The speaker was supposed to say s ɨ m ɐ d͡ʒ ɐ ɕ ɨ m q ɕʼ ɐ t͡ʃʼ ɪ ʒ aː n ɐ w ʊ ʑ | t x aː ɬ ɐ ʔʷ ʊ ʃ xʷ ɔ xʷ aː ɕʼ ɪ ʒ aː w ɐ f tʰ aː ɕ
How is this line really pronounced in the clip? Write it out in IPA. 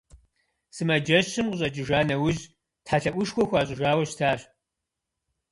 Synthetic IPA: s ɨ m ɐ d͡ʒ ɐ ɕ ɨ m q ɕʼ ɐ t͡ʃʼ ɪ ʒ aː n ɐ w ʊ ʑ | t ħ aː ɬ ɐ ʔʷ ʊ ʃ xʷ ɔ xʷ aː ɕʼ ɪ ʒ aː w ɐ ɕ tʰ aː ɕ

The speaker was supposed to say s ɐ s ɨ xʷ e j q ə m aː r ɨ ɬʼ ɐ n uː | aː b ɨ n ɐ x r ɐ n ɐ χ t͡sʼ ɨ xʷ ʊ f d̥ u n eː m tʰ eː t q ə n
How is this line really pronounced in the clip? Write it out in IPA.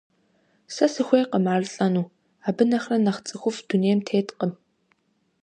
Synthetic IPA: s ɐ s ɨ xʷ e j q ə m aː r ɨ ɬʼ ɐ n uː | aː b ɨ n ɐ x r ɐ n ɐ χ t͡sʼ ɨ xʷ ʊ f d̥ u n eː m tʰ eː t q ə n

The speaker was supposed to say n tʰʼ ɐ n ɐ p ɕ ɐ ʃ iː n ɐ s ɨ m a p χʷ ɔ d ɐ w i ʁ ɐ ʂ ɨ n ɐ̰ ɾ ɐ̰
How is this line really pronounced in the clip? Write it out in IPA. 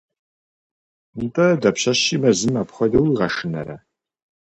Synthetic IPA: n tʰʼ ɐ d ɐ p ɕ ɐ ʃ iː m ɐ z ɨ m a p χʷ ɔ d ɐ w i ʁ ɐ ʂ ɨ n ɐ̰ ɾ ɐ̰

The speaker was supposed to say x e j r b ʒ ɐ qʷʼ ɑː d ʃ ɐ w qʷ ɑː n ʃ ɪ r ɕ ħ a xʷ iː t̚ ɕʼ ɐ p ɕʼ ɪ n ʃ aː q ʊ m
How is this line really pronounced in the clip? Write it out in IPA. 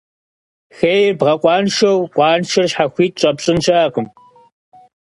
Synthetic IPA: x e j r b ʁ ɐ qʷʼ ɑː n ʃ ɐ w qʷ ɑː n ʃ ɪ r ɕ ħ a xʷ iː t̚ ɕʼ ɐ p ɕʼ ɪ n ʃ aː q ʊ m

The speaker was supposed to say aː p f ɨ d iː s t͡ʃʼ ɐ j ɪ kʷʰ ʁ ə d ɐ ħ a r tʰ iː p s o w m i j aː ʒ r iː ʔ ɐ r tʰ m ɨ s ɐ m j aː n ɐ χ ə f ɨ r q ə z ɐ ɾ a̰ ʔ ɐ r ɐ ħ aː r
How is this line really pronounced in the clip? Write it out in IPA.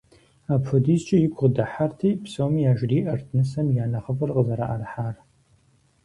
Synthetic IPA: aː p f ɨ d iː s t͡ʃʼ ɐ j ɪ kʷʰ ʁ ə d ɐ ħ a r tʰ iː p s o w m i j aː ʒ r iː ʔ ɐ r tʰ n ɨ s ɐ m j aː n ɐ χ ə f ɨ r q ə z ɐ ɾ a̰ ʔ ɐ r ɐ ħ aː r

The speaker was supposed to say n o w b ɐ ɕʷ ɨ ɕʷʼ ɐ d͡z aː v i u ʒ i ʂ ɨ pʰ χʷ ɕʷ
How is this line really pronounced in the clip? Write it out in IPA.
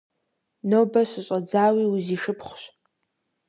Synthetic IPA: n o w b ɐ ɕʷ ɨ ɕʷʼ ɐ d͡z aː w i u z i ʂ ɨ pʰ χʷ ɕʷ

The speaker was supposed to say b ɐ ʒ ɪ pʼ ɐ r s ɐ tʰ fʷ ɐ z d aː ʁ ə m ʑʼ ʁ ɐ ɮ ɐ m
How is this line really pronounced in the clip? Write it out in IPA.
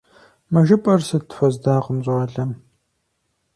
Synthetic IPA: m ɐ ʒ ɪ pʼ ɐ r s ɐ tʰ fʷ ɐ z d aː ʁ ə m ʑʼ ʁ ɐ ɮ ɐ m

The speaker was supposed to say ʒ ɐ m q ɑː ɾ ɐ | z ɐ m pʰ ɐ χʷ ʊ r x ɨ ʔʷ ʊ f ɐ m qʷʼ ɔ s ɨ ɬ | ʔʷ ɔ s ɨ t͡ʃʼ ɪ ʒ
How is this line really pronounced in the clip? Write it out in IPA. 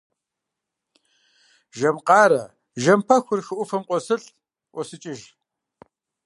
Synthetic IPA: ʒ ɐ m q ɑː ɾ ɐ | ʒ ɐ m pʰ ɐ xʷ ʊ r x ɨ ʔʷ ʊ f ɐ m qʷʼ ɔ s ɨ ɬ | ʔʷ ɔ s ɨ t͡ʃʼ ɪ ʒ

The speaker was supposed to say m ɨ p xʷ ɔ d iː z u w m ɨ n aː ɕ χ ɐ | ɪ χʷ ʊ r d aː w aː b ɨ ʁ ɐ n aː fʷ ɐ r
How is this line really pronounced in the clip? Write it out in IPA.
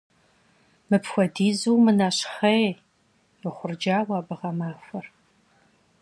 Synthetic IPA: m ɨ p xʷ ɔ d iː z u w m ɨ n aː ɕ χ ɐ | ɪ χʷ ʊ r d͡ʒ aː w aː b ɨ ʁ ɐ m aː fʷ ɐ r

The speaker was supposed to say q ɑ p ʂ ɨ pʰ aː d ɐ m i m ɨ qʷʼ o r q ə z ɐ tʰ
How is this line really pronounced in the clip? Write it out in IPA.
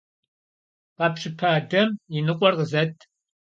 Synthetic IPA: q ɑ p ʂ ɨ pʰ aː d ɐ m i n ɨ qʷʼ ɔ r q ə z ɐ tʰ

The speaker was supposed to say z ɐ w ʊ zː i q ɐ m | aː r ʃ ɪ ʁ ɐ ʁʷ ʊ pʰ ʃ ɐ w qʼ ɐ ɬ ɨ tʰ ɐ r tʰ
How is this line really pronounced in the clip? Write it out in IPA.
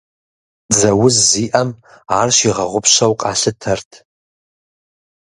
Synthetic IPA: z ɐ w ʊ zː i ʔ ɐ m | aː r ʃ i ʁ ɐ ʁʷ ʊ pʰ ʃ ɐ w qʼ a ɬ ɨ tʰ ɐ r tʰ

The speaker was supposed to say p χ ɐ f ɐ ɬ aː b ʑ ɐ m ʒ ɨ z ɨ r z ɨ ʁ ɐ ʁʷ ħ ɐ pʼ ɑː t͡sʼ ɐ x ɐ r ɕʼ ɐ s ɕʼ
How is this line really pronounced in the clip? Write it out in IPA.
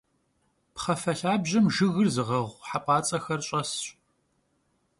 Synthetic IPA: p χ ɐ f ɐ ɬ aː b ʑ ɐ m ʒ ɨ ɣ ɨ r z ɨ ʁ ɐ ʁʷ ħ a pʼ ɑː t͡sʼ ɐ x ɐ r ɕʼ ɐ s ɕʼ

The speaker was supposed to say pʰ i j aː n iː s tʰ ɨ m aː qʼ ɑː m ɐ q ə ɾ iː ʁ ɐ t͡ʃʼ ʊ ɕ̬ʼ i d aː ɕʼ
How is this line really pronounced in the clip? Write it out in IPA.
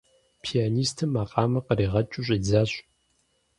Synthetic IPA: pʰ i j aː n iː s tʰ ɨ m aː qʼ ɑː m ɐ q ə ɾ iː ʁ ɐ t͡ʃʼ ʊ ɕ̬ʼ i d͡z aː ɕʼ

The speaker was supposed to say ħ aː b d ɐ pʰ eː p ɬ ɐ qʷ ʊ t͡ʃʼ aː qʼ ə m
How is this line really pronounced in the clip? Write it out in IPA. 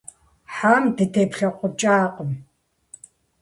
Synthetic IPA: ħ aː m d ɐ tʰ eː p ɬ ɐ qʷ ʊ t͡ʃʼ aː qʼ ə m

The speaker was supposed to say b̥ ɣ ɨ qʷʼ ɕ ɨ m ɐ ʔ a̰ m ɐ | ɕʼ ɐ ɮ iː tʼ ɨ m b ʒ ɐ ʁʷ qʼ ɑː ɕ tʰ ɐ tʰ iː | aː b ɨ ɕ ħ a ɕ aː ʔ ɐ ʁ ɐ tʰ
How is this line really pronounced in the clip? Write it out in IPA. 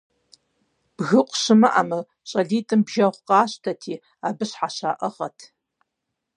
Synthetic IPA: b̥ ɣ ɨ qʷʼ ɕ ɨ m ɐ ʔ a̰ m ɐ | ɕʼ ɐ ɮ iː tʼ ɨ m b ʒ ɐ ʁʷ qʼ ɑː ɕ tʰ ɐ tʰ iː | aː b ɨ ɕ ħ a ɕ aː ʔ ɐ ʁ ɐ tʰ

